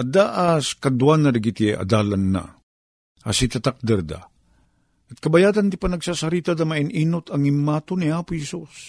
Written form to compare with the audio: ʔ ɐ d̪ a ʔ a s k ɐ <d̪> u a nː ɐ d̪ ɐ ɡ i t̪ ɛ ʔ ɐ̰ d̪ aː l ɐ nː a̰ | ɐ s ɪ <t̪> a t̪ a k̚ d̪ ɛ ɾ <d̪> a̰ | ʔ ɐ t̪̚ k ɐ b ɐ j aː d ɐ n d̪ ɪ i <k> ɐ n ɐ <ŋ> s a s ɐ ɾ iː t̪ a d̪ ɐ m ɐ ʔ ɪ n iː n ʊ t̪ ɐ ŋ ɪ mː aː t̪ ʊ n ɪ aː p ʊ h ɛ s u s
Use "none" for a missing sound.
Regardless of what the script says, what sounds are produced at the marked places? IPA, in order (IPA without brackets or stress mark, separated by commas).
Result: d̪, t̪, d̪, p, ɡ